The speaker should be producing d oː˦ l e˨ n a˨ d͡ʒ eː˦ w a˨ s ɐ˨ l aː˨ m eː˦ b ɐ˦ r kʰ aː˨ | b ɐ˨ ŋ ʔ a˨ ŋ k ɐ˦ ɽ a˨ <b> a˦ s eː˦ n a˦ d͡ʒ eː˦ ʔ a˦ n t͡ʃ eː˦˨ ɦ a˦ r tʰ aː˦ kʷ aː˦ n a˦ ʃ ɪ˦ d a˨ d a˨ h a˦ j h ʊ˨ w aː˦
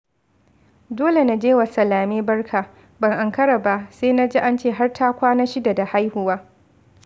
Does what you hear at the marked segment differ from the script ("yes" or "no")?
no